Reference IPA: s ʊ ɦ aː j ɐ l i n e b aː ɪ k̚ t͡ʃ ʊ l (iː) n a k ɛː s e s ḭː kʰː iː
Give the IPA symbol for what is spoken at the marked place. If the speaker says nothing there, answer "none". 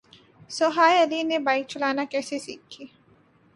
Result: aː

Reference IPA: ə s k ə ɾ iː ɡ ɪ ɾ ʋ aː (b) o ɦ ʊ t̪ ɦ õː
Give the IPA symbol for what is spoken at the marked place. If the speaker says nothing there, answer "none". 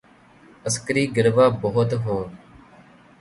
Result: b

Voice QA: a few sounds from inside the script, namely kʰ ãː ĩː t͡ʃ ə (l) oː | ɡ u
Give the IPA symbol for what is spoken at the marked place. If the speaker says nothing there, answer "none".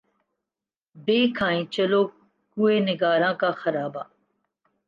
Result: l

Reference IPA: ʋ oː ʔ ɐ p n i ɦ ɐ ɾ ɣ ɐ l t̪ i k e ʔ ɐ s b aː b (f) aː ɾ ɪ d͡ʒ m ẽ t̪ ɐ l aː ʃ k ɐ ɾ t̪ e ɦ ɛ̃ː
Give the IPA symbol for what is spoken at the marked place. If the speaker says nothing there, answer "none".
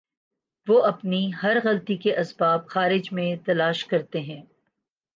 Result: x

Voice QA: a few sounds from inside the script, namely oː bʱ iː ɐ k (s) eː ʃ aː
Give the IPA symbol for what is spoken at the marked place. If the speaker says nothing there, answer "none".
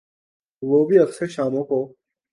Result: s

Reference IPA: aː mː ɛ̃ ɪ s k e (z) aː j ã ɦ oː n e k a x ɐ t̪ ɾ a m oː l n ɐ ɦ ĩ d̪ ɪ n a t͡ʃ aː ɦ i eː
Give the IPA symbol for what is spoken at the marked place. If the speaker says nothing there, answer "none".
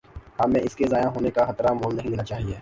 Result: z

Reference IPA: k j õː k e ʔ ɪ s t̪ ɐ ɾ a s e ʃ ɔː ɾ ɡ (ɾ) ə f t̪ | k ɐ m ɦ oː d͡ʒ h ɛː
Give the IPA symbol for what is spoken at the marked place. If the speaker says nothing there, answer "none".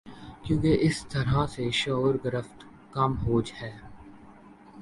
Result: ɾ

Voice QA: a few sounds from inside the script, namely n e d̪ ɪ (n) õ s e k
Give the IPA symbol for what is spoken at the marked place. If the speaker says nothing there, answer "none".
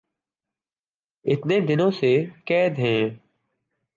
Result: n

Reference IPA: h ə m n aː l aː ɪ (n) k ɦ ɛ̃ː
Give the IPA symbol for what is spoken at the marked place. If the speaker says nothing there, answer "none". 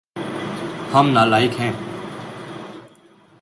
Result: none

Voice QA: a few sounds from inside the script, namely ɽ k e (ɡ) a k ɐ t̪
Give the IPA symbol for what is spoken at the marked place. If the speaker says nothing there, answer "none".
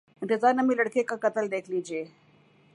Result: k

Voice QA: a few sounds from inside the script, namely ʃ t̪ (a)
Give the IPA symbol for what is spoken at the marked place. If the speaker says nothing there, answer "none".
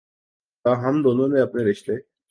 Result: e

